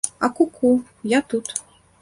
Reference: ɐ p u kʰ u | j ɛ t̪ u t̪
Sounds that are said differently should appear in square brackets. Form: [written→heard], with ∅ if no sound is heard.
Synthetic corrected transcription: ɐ [p→k] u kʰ u | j [ɛ→a] t̪ u t̪